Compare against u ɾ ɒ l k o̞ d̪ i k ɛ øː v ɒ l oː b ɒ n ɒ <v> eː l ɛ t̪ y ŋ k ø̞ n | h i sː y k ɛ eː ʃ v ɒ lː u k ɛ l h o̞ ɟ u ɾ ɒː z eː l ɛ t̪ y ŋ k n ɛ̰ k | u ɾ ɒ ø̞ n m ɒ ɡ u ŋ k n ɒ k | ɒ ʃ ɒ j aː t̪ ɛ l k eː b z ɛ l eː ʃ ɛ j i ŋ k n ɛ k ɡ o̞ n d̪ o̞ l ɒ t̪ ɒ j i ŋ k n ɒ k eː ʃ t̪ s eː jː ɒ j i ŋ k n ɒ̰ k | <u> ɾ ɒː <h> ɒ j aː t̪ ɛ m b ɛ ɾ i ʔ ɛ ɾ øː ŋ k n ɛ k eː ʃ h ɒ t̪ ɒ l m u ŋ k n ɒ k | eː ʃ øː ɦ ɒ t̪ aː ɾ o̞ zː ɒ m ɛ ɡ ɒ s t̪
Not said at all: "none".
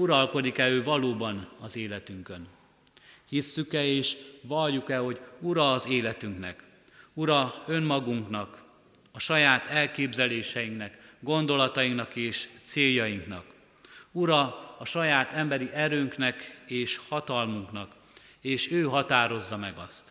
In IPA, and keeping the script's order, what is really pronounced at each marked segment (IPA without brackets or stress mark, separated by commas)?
z, u, ʃ